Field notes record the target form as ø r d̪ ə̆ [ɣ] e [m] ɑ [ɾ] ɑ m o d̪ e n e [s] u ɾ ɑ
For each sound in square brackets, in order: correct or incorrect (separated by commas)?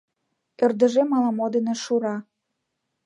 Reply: incorrect, correct, incorrect, incorrect